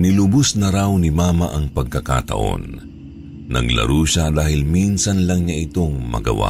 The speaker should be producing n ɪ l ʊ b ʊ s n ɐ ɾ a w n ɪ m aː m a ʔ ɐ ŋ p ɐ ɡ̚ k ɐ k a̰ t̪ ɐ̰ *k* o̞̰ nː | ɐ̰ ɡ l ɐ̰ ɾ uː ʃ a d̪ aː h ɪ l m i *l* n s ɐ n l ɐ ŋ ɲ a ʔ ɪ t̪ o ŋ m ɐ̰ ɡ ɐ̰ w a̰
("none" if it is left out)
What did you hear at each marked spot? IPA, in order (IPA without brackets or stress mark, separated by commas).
ʔ, none